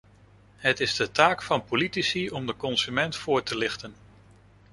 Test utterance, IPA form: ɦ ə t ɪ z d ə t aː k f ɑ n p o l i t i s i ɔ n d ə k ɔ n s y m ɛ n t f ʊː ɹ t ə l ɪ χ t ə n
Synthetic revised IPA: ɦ ə t ɪ z d ə t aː k f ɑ n p o l i t i s i ɔ m d ə k ɔ n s y m ɛ n t f ʊː ɹ t ə l ɪ χ t ə n